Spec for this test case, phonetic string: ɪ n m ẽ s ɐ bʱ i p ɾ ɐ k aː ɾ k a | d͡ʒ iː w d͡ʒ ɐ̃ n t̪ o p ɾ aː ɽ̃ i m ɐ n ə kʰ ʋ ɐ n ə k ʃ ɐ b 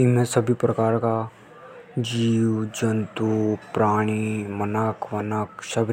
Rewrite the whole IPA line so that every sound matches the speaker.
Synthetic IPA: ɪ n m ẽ s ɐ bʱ i p ɾ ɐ k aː ɾ k a | d͡ʒ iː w d͡ʒ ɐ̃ n t̪ u p ɾ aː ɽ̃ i m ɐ n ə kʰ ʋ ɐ n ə k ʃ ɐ b